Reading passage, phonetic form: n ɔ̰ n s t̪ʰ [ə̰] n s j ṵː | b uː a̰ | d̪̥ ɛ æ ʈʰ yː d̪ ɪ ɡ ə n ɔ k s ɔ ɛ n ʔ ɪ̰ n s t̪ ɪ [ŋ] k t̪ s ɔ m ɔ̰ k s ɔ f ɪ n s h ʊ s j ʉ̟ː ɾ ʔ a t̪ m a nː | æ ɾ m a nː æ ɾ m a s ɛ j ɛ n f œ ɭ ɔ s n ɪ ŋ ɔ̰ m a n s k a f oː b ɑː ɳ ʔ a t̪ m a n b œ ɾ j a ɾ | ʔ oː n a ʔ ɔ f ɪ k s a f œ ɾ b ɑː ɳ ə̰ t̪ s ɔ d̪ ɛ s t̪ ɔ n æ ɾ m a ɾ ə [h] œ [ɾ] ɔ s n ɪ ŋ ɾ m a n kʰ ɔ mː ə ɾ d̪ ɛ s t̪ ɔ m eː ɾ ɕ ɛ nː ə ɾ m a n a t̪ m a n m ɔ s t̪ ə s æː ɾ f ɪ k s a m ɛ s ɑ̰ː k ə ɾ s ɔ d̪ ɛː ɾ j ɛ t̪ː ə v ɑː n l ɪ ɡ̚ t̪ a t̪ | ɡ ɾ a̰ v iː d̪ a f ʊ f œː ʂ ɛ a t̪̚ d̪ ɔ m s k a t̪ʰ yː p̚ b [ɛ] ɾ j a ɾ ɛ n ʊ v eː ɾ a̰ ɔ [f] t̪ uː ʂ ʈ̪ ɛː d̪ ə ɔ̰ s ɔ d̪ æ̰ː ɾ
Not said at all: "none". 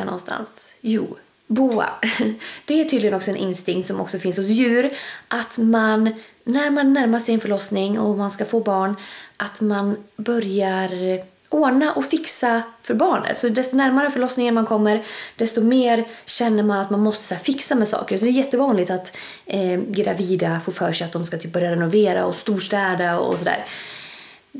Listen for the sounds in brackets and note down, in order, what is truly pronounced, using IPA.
a̰, ŋ, f, ɭ, œ, s

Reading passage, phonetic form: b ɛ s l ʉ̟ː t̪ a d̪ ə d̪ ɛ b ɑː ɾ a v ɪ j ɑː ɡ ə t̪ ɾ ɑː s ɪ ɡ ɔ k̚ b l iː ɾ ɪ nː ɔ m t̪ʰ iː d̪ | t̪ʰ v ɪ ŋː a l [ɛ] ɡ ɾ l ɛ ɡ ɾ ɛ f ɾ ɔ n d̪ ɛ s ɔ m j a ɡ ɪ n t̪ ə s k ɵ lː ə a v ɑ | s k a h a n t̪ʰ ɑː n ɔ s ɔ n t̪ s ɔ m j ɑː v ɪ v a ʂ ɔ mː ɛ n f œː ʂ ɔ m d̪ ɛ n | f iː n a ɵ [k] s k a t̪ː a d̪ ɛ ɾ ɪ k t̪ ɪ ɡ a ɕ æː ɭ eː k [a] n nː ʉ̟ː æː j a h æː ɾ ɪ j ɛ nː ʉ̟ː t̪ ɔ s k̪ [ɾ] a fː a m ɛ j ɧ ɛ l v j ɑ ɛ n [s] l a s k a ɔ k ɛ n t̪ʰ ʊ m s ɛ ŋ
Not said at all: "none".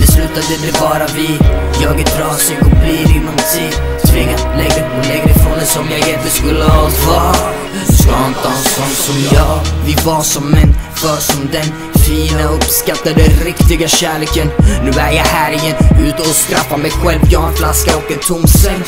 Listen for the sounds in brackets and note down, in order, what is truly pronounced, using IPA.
ɛ, p, ə, ɾ, f

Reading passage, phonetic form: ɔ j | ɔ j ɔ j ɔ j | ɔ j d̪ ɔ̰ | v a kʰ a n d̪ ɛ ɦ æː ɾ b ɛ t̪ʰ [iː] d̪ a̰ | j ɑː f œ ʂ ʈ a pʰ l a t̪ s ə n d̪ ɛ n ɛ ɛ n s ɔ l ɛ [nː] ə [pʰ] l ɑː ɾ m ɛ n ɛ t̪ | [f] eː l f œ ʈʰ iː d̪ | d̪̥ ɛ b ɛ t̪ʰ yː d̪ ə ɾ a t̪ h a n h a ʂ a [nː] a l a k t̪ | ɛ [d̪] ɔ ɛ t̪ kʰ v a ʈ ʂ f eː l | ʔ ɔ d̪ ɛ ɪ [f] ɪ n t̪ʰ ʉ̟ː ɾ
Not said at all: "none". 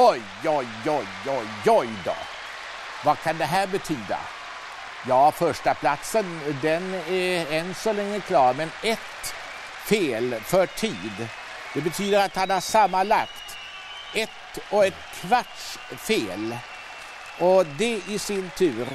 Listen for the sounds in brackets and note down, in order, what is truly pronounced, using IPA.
yː, ŋː, kʰ, f, mː, t̪, s

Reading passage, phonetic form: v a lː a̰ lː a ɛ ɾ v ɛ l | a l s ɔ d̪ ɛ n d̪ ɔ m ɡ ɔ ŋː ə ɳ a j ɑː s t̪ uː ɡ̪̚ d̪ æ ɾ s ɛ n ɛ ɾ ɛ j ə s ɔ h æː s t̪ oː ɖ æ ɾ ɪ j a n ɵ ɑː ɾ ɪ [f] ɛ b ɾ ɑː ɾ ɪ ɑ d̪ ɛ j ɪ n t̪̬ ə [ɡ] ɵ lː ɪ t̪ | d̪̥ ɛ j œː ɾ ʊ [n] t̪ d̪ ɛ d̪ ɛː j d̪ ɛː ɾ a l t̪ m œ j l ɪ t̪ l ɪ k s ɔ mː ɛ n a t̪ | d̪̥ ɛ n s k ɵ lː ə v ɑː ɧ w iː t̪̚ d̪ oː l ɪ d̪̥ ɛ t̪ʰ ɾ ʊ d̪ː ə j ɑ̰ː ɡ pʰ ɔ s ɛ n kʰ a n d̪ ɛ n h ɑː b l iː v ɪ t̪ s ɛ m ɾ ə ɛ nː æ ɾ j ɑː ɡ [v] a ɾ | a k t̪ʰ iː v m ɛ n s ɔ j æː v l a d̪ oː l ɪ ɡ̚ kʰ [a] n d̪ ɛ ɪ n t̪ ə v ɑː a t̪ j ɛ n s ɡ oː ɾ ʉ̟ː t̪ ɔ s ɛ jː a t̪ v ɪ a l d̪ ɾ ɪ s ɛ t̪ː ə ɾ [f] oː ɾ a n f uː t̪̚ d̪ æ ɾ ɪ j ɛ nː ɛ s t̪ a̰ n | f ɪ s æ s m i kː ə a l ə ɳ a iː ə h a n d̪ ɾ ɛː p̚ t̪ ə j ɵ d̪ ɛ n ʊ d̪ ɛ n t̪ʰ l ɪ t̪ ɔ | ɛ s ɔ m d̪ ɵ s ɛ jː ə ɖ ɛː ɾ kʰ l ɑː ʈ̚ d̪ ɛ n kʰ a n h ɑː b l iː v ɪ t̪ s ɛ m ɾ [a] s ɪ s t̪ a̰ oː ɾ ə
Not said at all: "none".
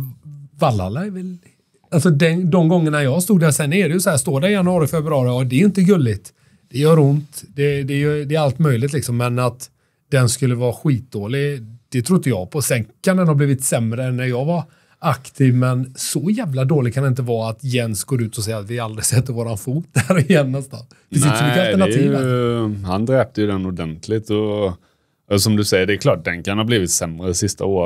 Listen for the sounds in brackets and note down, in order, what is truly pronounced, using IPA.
f, ɡ, n, v, a, v, ə

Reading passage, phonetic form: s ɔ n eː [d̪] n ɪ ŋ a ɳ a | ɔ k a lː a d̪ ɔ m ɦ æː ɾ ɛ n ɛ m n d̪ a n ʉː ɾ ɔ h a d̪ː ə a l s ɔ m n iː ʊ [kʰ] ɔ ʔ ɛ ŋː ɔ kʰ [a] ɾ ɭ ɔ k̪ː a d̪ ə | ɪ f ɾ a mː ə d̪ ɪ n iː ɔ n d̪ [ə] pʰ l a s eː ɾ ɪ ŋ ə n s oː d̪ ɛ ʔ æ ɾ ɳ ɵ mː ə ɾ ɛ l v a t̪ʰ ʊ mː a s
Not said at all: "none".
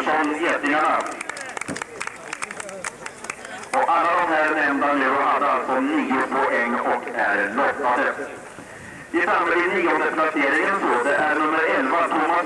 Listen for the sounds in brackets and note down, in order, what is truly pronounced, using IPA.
t̪, pʰ, æ, ə

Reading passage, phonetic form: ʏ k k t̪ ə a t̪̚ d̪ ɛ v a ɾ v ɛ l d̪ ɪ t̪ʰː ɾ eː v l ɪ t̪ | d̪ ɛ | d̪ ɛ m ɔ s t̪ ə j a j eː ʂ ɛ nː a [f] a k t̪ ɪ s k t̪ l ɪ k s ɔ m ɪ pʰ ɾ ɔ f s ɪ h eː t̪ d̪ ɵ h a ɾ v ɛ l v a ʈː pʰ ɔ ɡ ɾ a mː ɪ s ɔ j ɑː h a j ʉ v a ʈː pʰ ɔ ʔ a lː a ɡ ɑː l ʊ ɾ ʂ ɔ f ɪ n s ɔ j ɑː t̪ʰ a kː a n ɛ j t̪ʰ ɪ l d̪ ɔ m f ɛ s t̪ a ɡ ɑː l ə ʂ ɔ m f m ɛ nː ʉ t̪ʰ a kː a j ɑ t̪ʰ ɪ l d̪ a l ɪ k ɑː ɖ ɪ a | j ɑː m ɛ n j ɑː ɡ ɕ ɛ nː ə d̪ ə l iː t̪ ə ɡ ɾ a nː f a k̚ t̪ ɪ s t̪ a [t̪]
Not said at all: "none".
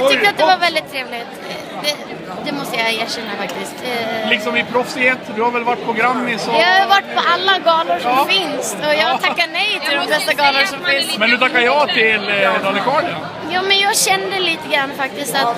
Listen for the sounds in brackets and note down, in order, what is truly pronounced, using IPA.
f, t̪

